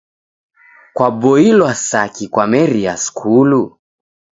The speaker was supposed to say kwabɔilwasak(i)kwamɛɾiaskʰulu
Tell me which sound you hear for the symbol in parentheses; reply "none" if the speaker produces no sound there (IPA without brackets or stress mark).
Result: i